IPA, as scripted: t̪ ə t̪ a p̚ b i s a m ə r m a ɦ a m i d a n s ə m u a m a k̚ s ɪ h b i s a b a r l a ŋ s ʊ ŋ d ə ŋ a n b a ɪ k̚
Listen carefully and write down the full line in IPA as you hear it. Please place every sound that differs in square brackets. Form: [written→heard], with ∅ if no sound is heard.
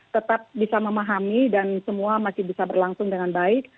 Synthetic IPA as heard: t̪ ə t̪ a p̚ b i s a m ə [r→∅] m a ɦ a m i d a n s ə m u a m a [k̚→∅] s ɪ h b i s a b [a→ə] r l a ŋ s ʊ ŋ d ə ŋ a n b a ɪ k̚